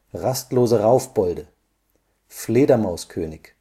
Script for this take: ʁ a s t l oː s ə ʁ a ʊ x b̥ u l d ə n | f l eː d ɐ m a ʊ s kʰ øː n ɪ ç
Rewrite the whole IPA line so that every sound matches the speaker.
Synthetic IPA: ʁ a s t l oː z ə ʁ a ʊ f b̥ ɔ l d ə | f l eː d ɐ m a ʊ s kʰ øː n ɪ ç